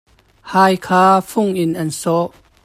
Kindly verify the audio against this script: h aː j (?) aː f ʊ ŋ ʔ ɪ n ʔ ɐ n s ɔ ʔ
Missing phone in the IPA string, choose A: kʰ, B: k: A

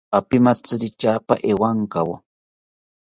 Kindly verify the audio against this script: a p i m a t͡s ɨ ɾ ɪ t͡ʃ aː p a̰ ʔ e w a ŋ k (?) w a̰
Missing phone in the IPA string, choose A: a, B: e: A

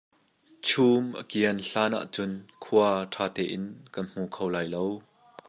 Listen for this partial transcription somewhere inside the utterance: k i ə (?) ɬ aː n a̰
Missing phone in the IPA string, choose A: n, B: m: A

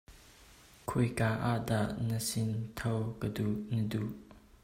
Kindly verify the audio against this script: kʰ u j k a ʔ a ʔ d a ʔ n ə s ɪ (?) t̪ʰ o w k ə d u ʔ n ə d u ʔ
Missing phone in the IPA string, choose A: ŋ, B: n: B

